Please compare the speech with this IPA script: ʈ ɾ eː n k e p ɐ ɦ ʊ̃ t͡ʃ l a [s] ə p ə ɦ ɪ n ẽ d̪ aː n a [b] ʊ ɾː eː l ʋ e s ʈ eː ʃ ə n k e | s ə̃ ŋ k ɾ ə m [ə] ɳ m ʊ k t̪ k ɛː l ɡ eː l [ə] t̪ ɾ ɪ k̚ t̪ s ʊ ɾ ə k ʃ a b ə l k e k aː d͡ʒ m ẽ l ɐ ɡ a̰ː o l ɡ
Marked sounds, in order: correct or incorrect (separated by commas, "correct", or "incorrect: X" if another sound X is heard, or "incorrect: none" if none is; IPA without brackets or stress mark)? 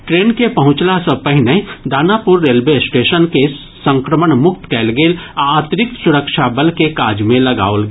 correct, incorrect: p, correct, incorrect: a